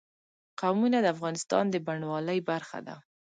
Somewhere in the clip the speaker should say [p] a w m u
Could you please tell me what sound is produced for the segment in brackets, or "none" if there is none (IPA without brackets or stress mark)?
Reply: q